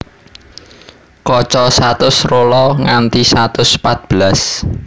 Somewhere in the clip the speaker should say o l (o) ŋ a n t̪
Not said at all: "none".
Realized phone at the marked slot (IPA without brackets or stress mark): ɔ